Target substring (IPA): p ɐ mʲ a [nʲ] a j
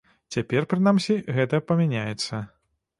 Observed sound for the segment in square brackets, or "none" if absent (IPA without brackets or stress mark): nʲ